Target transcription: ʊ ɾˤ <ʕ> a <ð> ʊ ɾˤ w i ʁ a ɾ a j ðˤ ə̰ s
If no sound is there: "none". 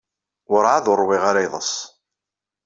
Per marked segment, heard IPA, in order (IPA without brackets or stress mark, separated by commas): ʕ, ð